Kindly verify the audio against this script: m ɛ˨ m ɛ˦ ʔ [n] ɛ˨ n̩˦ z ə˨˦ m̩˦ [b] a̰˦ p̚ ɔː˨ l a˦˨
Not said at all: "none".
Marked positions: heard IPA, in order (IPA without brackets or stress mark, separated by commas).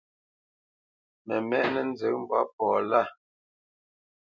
n, b